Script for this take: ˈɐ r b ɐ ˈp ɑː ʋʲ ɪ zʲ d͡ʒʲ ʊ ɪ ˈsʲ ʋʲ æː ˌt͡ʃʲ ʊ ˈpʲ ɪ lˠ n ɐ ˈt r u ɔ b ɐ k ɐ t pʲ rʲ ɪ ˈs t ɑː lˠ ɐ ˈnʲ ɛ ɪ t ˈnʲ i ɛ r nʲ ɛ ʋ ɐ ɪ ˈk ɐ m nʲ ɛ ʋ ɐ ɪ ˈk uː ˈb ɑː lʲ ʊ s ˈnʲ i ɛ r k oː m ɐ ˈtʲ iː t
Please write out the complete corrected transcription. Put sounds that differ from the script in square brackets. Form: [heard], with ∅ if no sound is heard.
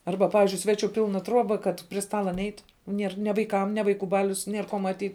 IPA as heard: ˈɐ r b ɐ ˈp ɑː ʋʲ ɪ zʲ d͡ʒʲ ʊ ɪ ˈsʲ ʋʲ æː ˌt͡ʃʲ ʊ ˈpʲ ɪ lˠ n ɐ ˈt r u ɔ b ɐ k ɐ t pʲ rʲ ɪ ˈs t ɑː lˠ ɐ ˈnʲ ɛ ɪ t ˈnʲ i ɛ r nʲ ɛ ʋ ɐ ɪ ˈk ɐ m nʲ ɛ ʋ ɐ ɪ ˈk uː ˈb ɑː lʲ ʊ s ˈnʲ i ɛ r k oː m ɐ ˈtʲ iː t